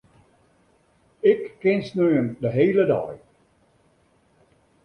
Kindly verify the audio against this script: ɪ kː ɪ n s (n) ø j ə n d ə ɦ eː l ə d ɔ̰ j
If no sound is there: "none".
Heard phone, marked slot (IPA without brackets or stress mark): n